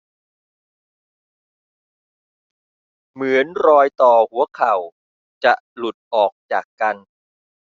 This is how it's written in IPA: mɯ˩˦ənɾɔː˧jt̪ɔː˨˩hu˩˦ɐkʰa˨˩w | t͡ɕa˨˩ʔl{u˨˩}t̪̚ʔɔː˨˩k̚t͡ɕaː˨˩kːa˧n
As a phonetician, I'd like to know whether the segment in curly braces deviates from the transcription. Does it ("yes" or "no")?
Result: no